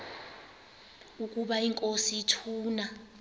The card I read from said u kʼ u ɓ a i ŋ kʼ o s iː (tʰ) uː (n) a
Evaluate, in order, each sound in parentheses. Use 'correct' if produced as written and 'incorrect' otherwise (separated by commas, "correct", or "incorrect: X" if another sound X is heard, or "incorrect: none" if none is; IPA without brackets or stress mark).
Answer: correct, correct